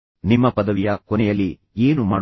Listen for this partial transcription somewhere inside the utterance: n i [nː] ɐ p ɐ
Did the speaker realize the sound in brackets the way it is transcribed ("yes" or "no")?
no